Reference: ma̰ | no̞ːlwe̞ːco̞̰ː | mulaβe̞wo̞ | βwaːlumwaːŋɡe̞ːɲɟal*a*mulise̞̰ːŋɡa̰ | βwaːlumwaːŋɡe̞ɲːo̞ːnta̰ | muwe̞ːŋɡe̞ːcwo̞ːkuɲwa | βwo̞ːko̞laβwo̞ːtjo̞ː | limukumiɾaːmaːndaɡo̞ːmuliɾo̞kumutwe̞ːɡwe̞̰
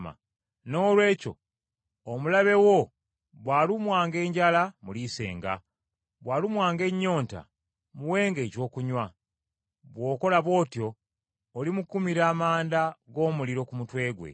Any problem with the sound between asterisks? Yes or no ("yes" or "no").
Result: no